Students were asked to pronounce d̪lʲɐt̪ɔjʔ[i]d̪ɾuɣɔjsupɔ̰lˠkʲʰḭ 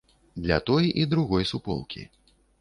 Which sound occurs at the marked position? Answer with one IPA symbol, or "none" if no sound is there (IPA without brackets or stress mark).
i